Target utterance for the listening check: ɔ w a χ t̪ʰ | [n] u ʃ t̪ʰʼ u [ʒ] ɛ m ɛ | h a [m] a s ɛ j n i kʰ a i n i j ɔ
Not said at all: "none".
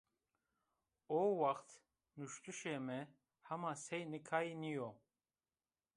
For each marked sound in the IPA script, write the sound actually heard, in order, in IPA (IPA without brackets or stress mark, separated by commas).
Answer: n, ʃ, m